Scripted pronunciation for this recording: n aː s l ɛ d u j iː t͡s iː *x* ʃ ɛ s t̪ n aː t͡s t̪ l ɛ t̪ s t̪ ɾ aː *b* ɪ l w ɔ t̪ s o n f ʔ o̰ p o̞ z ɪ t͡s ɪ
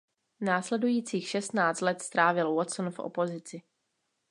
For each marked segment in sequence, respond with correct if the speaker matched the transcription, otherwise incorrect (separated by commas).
correct, incorrect